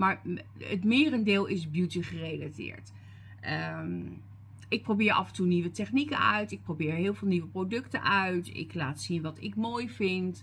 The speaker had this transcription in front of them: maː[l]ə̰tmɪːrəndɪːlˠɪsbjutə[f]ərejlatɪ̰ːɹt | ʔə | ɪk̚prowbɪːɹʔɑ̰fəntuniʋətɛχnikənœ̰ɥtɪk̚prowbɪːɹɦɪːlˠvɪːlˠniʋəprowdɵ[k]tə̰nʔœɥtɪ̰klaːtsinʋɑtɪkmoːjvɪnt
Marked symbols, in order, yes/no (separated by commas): no, no, yes